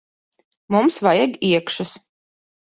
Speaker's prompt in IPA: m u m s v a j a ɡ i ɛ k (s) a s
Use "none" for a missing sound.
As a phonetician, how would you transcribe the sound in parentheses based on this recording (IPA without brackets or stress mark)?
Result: ʃ